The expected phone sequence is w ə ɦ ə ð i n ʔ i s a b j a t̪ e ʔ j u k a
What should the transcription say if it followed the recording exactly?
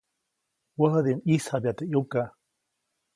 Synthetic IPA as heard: w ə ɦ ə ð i n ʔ i s a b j a t̪ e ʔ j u k a